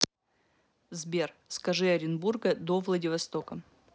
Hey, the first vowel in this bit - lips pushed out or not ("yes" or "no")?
no